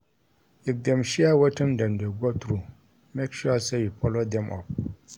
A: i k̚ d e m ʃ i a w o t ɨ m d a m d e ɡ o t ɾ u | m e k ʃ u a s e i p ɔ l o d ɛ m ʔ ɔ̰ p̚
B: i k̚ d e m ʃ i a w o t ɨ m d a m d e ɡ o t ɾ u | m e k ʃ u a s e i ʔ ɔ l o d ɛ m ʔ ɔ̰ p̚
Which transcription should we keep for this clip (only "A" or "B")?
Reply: A